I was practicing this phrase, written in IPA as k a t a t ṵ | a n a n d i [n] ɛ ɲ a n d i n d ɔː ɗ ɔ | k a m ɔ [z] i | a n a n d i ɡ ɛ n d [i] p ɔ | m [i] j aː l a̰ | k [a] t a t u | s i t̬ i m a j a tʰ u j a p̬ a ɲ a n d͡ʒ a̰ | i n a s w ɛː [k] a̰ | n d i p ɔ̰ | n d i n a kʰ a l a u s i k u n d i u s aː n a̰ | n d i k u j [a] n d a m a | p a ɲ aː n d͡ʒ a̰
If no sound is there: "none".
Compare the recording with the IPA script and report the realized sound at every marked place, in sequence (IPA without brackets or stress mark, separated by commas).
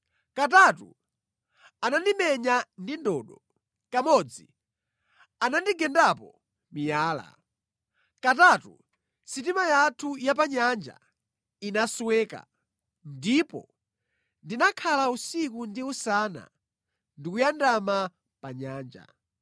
m, d͡z, a, i, a, k, a